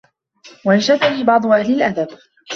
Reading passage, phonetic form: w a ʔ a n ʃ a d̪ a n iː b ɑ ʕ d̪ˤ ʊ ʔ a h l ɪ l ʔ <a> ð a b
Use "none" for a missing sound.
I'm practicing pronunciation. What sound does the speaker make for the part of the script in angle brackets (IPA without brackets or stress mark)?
a